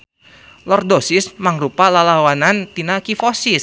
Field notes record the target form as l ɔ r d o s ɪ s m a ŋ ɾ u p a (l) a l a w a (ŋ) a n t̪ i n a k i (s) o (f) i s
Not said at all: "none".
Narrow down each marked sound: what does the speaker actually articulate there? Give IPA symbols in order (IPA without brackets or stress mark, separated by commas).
l, n, f, s